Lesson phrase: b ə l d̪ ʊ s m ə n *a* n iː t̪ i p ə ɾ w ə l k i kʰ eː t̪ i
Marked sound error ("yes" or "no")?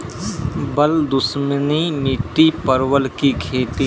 yes